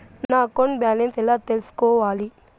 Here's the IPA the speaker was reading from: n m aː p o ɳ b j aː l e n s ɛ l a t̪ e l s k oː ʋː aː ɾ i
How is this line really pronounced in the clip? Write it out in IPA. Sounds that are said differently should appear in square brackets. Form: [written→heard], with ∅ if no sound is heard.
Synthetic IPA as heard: n [m→n] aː [p→k] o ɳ b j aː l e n s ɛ l a t̪ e l s k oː [ʋː→ʋ] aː [ɾ→l] i